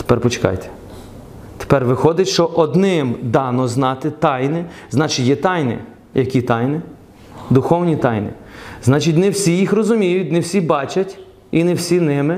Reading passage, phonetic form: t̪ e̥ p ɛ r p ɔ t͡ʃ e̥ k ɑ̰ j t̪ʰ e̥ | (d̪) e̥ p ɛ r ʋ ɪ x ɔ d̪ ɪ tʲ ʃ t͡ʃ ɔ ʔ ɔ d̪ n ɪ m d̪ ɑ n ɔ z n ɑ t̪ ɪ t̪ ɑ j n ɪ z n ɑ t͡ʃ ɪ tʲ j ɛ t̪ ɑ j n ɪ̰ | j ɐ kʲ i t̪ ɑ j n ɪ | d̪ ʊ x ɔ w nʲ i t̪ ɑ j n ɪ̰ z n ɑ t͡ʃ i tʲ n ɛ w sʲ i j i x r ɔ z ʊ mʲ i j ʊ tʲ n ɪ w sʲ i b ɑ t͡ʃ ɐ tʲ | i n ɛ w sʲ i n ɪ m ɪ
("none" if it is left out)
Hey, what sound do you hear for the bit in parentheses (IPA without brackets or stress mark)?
t̪